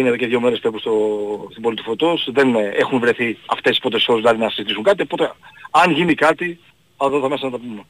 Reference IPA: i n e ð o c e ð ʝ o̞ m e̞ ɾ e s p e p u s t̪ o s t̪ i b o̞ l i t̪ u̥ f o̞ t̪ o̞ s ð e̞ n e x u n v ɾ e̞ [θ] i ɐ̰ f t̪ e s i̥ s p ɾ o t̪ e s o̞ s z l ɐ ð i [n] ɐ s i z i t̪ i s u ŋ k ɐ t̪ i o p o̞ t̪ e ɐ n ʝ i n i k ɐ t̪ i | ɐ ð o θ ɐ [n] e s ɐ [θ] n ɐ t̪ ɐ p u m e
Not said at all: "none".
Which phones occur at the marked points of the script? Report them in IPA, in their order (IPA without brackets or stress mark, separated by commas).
θ, n, m, none